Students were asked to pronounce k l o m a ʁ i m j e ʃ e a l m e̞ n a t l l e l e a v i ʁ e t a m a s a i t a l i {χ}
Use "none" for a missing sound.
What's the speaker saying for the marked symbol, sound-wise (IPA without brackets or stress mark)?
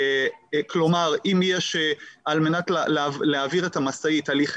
χ